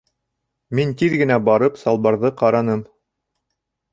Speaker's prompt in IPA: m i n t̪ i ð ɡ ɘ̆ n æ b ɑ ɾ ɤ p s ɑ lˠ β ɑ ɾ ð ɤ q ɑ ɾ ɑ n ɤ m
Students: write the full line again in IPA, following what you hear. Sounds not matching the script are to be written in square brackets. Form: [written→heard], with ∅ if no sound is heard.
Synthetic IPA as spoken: m i n t̪ i ð ɡ ɘ̆ n æ b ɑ ɾ ɤ p s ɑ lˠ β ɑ ɾ ð ɤ q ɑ ɾ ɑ n ɤ m